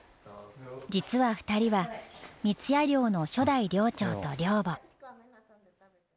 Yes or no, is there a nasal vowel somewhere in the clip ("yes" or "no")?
no